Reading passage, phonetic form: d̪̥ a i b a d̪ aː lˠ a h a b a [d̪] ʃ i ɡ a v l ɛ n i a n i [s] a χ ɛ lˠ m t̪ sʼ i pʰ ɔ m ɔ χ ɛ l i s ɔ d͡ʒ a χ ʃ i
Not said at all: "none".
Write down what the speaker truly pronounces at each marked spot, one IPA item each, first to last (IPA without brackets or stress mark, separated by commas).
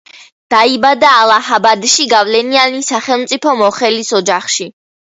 d̪, s